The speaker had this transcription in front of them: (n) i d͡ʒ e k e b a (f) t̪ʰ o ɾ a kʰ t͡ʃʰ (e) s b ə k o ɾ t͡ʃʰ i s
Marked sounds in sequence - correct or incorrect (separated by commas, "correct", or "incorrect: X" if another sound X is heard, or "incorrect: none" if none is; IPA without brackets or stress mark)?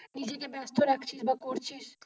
correct, incorrect: s, incorrect: i